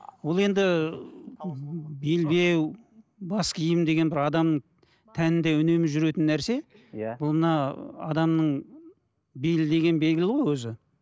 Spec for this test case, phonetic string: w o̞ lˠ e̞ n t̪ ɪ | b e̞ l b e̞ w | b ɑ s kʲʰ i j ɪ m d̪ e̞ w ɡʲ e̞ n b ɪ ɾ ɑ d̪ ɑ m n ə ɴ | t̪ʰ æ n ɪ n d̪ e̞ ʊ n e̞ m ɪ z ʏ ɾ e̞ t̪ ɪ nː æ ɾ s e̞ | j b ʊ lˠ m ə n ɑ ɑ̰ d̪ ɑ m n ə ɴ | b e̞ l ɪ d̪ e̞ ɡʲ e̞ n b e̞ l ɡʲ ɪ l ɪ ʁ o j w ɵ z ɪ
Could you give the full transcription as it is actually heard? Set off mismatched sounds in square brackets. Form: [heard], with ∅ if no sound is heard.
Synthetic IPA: w o̞ lˠ e̞ n [d̪] ɪ | b e̞ l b e̞ w | b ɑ s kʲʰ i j ɪ m d̪ e̞ [∅] ɡʲ e̞ n b ɪ ɾ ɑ d̪ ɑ m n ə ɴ | t̪ʰ æ n ɪ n d̪ e̞ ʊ n e̞ m ɪ [ʒ] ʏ ɾ e̞ t̪ ɪ nː æ ɾ s e̞ | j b ʊ lˠ m ə n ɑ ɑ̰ d̪ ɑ m n ə ɴ | b e̞ l ɪ d̪ e̞ ɡʲ e̞ n b e̞ l ɡʲ ɪ l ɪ ʁ o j w ɵ z ɪ